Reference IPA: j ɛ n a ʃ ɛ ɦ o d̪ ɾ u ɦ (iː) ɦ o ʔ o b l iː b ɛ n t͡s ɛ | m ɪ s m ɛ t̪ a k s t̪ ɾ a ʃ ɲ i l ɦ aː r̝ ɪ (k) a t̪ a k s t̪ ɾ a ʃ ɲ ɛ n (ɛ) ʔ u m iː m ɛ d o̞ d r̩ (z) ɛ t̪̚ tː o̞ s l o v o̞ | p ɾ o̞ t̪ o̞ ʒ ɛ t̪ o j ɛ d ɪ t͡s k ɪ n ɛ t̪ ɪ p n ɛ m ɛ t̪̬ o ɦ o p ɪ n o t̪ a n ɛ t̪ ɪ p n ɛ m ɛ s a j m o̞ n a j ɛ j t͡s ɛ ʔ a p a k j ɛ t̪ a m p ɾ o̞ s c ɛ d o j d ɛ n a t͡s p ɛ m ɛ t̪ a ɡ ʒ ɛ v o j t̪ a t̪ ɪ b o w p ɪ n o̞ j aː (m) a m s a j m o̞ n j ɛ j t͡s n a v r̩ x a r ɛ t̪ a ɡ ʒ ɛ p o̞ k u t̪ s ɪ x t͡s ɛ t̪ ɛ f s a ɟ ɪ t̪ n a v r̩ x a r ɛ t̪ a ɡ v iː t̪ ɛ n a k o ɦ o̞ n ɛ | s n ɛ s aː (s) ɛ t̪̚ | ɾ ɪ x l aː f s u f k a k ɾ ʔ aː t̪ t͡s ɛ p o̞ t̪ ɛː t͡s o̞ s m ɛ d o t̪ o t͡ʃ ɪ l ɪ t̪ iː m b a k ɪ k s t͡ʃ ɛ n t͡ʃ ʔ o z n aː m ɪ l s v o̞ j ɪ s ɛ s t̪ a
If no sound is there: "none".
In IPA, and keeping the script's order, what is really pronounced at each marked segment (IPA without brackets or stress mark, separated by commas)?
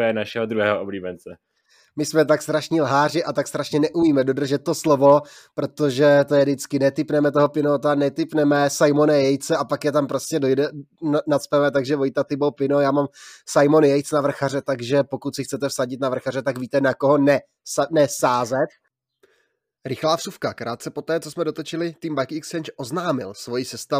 ɛː, ʔ, ɛ, ʒ, m, z